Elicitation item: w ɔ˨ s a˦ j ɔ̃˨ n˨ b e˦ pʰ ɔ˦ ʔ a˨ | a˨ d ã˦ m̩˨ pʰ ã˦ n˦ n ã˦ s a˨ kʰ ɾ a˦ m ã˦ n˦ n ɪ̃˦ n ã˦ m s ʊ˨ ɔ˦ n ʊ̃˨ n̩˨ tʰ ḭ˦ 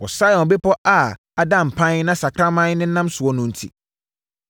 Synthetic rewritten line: w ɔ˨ s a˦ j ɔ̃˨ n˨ b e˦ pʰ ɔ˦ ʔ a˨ | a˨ d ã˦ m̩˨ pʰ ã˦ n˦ n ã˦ s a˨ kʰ ɾ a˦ m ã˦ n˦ n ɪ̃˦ n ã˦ m s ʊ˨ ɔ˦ n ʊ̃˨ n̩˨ tʰ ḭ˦